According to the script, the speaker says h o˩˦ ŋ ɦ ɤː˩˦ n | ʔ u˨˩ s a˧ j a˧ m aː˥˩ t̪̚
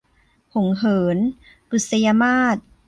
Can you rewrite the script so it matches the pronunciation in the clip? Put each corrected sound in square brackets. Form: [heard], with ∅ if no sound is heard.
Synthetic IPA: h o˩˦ ŋ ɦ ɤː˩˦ n | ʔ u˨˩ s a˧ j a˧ m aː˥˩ t̪̚